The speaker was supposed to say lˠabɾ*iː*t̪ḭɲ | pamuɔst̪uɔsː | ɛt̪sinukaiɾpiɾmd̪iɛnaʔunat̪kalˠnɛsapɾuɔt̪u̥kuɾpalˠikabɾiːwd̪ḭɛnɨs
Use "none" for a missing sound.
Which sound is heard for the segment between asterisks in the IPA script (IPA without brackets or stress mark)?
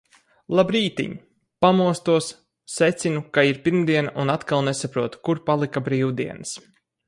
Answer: iː